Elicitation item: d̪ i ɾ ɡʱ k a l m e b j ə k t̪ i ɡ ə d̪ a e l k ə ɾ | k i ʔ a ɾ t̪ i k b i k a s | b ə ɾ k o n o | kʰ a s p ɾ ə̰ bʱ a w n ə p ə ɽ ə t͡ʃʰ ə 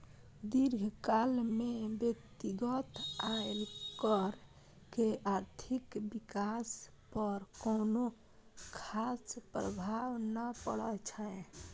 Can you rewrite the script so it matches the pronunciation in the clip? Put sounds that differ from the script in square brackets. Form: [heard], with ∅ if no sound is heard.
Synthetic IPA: d̪ i ɾ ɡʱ k a l m e b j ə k t̪ i ɡ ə [t̪] a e l k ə ɾ | k [e] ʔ a ɾ [t̪ʰ] i k b i k a s | [p] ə ɾ k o n o | kʰ a s p ɾ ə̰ bʱ a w n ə p ə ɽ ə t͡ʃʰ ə